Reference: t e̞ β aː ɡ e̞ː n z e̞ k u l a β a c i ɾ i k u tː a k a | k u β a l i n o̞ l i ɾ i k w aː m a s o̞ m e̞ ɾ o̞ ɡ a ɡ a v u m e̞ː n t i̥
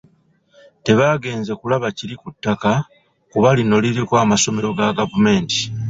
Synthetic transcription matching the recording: t e̞ β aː ɡ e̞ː n z e̞ k u l a β a c i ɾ i k u tː a k a | k u β a l i n o̞ l i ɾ i k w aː m a s o̞ m e̞ ɾ o̞ ɡ a ɡ a v u m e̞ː n t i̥

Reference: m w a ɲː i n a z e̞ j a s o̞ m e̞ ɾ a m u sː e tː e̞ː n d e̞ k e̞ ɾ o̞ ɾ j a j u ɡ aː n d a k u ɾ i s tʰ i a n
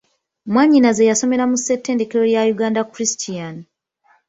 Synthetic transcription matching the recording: m w a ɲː i n a z e̞ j a s o̞ m e̞ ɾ a m u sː e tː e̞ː n d e̞ k e̞ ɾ o̞ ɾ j a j u ɡ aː n d a k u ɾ i s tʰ i a n

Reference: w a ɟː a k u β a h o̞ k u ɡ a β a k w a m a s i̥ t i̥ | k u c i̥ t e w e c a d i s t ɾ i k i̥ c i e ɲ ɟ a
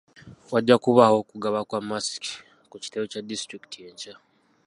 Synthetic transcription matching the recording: w a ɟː a k u β a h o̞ k u ɡ a β a k w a m a s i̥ k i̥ | k u c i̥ t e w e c a d i s t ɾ i k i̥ t i e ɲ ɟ a

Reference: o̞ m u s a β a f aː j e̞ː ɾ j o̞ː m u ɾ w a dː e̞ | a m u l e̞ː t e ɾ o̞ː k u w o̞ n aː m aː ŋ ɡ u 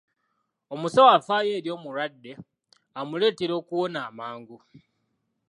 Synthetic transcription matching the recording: o̞ m u s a w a f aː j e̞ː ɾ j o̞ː m u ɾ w a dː e̞ | a m u l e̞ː t e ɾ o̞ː k u w o̞ n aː m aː ŋ ɡ u

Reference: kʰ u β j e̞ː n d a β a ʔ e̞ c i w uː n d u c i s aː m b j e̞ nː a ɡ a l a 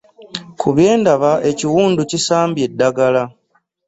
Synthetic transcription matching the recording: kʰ u β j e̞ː n d a β a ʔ e̞ c i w uː n d u c i s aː m b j e̞ dː a ɡ a l a

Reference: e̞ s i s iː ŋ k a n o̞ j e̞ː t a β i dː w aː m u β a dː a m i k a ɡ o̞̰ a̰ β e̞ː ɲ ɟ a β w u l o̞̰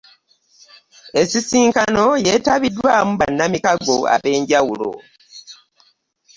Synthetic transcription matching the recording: e̞ s i s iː ŋ k a n o̞ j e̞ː t a β i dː w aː m u β a nː a m i k a ɡ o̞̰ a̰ β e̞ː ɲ ɟ a w u l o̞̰

